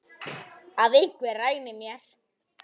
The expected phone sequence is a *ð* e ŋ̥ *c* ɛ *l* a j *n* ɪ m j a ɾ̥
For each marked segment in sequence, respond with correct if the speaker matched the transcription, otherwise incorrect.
correct, incorrect: k, incorrect: r, correct

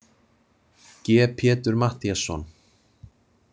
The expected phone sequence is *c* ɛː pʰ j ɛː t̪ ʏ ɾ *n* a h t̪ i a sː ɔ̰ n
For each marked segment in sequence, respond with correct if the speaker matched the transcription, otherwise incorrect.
correct, incorrect: m

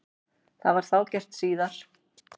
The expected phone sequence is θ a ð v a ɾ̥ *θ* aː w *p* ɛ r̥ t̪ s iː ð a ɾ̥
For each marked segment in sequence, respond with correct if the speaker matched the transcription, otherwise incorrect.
correct, incorrect: c

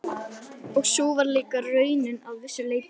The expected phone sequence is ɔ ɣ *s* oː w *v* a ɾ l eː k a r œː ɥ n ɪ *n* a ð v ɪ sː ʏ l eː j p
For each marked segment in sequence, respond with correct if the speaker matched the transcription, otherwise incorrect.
correct, correct, correct

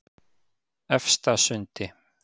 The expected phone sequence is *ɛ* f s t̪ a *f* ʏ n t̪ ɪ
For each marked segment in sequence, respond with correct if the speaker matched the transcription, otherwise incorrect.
correct, incorrect: s

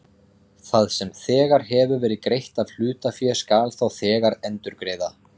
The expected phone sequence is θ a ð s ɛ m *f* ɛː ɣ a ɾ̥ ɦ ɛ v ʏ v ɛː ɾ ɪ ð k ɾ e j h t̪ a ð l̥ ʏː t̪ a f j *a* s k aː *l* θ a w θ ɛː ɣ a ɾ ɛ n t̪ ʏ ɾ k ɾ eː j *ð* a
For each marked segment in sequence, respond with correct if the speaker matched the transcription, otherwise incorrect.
incorrect: θ, incorrect: ɛ, correct, correct

